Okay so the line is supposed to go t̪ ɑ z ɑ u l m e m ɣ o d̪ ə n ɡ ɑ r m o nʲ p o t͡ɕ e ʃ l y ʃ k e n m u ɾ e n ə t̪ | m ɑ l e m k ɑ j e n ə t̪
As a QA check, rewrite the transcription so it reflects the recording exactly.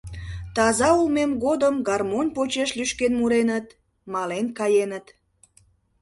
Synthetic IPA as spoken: t̪ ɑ z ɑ u l m e m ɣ o d̪ ə m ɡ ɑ r m o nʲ p o t͡ɕ e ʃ l y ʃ k e n m u ɾ e n ə t̪ | m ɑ l e n k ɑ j e n ə t̪